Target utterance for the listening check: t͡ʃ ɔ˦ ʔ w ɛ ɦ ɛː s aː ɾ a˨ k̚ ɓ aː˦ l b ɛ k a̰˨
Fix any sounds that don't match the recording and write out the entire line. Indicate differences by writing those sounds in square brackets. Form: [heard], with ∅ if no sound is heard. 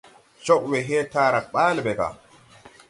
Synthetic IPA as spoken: t͡ʃ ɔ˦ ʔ w ɛ ɦ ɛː [t] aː ɾ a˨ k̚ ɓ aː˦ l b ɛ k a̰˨